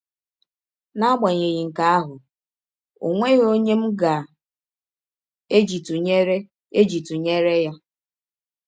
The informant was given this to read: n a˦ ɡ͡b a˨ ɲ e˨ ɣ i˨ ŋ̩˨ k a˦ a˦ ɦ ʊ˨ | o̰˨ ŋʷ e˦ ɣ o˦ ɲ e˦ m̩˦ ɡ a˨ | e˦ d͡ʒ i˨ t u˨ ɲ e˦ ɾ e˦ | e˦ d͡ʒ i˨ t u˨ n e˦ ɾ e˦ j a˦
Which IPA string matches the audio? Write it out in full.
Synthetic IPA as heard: n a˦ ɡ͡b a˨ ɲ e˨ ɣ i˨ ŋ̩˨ k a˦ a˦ ɦ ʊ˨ | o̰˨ ŋʷ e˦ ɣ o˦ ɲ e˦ m̩˦ ɡ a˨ | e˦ d͡ʒ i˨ t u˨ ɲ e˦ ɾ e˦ | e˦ d͡ʒ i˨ t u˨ ɲ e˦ ɾ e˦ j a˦